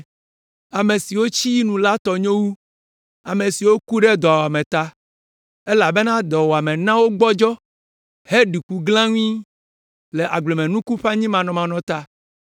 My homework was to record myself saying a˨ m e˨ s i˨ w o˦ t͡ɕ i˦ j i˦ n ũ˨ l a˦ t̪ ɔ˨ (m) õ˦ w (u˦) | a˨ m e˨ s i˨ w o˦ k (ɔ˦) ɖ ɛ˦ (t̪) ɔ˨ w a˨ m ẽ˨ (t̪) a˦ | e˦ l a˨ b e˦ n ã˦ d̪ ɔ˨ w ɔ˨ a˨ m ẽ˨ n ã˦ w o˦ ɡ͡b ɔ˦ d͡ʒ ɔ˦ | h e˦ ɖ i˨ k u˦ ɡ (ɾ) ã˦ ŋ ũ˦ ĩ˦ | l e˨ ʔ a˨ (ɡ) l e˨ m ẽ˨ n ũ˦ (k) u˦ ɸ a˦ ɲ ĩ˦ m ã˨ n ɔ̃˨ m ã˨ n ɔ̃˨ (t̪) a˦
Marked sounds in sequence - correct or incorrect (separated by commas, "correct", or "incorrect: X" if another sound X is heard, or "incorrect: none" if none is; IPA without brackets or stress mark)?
incorrect: ɲ, correct, incorrect: u˦, incorrect: d̪, correct, incorrect: l, incorrect: ɡ͡b, correct, correct